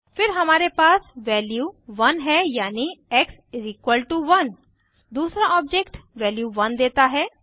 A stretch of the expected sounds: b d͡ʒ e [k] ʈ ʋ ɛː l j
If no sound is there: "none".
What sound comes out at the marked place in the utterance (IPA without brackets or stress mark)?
k